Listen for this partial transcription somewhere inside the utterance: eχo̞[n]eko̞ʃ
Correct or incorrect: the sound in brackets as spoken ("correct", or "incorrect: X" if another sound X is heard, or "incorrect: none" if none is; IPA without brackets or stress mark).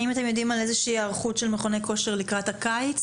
correct